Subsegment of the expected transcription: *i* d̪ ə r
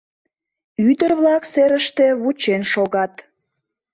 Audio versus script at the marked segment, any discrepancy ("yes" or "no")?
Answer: yes